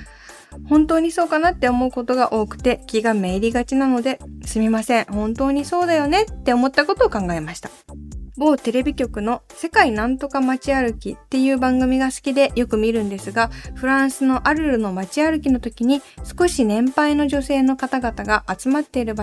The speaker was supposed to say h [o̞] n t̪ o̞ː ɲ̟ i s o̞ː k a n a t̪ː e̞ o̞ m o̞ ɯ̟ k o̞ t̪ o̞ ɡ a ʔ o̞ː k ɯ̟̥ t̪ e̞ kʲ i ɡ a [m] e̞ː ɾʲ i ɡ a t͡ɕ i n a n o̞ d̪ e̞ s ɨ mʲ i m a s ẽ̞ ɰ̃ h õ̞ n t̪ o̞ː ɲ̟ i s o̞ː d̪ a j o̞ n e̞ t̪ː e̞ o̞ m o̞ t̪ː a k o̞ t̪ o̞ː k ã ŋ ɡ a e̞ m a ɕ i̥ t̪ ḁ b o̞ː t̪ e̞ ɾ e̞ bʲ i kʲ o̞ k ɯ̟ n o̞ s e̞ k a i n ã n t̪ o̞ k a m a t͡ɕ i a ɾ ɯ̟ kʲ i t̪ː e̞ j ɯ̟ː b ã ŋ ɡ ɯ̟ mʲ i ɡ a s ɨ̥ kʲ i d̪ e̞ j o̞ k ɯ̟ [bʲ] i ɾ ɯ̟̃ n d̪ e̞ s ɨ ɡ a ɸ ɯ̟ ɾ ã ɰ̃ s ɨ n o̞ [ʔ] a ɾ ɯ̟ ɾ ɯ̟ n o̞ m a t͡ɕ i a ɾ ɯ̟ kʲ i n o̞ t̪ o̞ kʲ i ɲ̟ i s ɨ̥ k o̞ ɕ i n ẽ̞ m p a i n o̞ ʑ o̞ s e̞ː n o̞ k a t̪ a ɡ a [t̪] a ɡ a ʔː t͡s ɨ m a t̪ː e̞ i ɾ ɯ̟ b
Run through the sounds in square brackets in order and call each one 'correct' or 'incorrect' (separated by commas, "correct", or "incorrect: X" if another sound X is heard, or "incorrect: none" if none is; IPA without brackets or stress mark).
incorrect: õ̞, correct, incorrect: mʲ, correct, correct